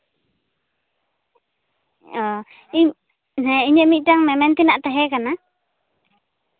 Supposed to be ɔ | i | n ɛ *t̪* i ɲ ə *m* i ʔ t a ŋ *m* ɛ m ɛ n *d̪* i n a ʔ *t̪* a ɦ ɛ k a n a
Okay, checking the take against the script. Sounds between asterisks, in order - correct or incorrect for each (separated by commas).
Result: incorrect, correct, correct, incorrect, correct